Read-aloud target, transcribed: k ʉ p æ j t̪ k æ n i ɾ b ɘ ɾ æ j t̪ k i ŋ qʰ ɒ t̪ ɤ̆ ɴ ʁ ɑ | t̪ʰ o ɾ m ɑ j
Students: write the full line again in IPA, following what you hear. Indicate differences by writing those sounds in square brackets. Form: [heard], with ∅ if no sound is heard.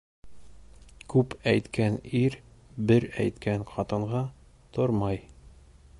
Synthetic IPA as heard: k ʉ p æ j t̪ k æ n i ɾ b ɘ ɾ æ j t̪ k [æ] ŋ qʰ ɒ t̪ ɤ̆ ɴ ʁ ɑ | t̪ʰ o ɾ m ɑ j